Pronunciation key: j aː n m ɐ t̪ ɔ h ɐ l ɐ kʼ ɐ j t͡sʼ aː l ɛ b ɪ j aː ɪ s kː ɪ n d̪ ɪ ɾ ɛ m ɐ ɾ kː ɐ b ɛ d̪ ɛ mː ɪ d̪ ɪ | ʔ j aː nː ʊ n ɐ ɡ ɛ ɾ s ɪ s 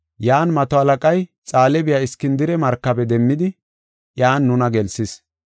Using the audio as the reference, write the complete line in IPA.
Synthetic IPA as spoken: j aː n m ɐ t̪ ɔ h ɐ l ɐ kʼ ɐ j t͡sʼ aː l ɛ b ɪ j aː ɪ s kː ɪ n d̪ ɪ ɾ ɛ m ɐ ɾ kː ɐ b ɛ d̪ ɛ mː ɪ d̪ ɪ | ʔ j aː nː ʊ n ɐ ɡ ɛ l s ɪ s

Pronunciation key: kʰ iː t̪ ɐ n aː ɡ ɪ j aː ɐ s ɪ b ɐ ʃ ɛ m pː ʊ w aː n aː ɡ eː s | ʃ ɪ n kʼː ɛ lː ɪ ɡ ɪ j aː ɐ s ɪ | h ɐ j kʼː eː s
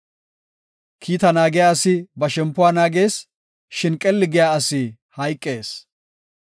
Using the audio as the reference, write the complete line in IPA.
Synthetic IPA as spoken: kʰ iː t̪ ɐ n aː ɡ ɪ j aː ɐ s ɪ b ɐ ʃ ɛ m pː ʊ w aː n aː ɡ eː s | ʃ ɪ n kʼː ɛ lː ɪ ɡ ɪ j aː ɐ s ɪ | h ɐ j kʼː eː s

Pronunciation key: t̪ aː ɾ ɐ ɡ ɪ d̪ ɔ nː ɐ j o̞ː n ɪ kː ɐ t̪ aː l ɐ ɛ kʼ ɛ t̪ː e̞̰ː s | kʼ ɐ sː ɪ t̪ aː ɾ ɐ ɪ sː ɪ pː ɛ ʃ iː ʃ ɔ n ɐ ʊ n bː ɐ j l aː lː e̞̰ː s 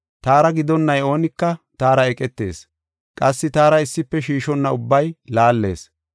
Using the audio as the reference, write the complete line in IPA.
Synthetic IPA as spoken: t̪ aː ɾ ɐ ɡ ɪ d̪ ɔ nː ɐ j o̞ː n ɪ kː ɐ t̪ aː ɾ ɐ ɛ kʼ ɛ t̪ː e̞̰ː s | kʼ ɐ sː ɪ t̪ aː ɾ ɐ ɪ sː ɪ pː ɛ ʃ iː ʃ ɔ nː ɐ ʊ bː ɐ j l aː lː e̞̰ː s

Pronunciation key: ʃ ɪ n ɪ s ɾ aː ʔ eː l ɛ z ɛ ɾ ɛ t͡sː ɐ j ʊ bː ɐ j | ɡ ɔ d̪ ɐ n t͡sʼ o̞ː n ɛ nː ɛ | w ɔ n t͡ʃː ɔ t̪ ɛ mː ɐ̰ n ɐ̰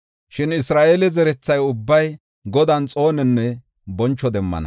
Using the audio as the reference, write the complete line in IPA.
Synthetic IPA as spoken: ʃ ɪ n ɪ s ɾ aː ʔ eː l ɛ z ɛ ɾ ɛ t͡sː ɐ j ʊ bː ɐ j | ɡ ɔ d̪ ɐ n t͡sʼ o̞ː n ɛ nː ɛ | b ɔ n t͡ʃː ɔ d̪ ɛ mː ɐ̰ n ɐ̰

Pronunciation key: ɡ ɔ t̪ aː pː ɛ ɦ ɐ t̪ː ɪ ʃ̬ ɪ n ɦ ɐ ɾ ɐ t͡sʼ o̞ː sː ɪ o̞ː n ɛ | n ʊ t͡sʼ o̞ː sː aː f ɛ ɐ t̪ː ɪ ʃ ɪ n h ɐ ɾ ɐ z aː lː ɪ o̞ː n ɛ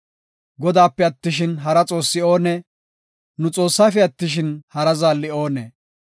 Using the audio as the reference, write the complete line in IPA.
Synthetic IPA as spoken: ɡ ɔ d̪ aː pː ɛ ɐ t̪ː ɪ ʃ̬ ɪ n ɦ ɐ ɾ ɐ t͡sʼ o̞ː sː ɪ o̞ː n ɛ | n ʊ t͡sʼ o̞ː sː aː f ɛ ɐ t̪ː ɪ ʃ ɪ n h ɐ ɾ ɐ z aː lː ɪ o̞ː n ɛ

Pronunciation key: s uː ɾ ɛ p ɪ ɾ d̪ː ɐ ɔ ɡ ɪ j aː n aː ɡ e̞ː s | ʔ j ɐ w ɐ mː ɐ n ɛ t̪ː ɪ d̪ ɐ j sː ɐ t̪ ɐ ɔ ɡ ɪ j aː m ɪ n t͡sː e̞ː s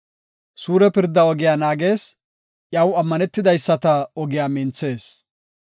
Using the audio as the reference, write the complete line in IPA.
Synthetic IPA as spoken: s uː ɾ ɛ p ɪ ɾ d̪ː ɐ ɔ ɡ ɪ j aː n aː ɡ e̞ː s | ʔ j ɐ w ɐ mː ɐ n ɛ t̪ː ɪ d̪ ɐ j sː ɐ t̪ ɐ ɔ ɡ ɪ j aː m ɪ n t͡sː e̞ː s

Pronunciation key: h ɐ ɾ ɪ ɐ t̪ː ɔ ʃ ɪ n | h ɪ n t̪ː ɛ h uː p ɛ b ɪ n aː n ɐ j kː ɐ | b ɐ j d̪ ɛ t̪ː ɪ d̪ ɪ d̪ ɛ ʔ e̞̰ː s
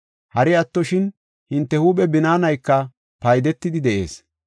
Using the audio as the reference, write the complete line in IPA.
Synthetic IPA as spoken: h ɐ ɾ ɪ ɐ t̪ː ɔ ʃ ɪ n | h ɪ n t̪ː ɛ h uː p ɛ b ɪ n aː n ɐ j kː ɐ | p ɐ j d̪ ɛ t̪ː ɪ d̪ ɪ d̪ ɛ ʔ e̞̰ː s

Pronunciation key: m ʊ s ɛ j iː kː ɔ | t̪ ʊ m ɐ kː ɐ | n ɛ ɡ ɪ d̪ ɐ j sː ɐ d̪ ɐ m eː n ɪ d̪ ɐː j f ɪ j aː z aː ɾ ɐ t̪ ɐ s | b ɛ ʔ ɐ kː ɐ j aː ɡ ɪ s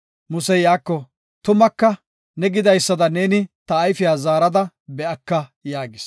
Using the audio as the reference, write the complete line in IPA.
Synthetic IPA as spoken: m ʊ s ɛ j aː kː ɔ | t̪ ʊ m ɐ kː ɐ | n ɛ ɡ ɪ d̪ ɐ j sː ɐ d̪ ɐ n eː n ɪ t̪ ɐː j f ɪ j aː z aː ɾ ɐ d̪ ɐ | b ɛ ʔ ɐ kː ɐ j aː ɡ ɪ s

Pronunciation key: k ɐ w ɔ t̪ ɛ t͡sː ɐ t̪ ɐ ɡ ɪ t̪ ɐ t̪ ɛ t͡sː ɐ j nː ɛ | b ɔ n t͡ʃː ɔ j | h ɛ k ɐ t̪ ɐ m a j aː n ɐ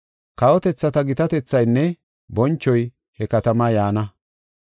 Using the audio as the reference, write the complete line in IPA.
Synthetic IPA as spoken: k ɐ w ɔ t̪ ɛ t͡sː ɐ t̪ ɐ ɡ ɪ t̪ ɐ t̪ ɛ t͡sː ɐ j nː ɛ | b ɔ n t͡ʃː ɔ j | h ɛ k ɐ t̪ ɐ m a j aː n ɐ

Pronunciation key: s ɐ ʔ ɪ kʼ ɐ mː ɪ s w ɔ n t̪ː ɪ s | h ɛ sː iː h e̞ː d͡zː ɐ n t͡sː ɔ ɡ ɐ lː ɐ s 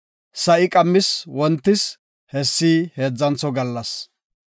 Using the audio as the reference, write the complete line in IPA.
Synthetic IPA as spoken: s ɐ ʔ ɪ kʼ ɐ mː ɪ s w ɔ n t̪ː ɪ s | h ɛ sː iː h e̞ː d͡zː ɐ n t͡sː ɔ ɡ ɐ lː ɐ s

